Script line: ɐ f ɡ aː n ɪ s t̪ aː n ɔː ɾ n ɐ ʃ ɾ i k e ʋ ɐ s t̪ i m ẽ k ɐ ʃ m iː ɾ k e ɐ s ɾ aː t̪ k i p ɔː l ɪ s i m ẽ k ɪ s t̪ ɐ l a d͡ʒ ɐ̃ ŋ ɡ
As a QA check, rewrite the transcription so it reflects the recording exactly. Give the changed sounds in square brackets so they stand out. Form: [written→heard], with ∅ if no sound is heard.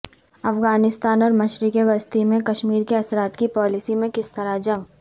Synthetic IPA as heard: ɐ f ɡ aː n ɪ s t̪ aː n ɔː ɾ [n→m] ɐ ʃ ɾ i k e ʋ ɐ s t̪ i m ẽ k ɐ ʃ m iː ɾ k e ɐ s ɾ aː t̪ k i p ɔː l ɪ s i m ẽ k ɪ s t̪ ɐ [l→ɾ] a d͡ʒ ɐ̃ ŋ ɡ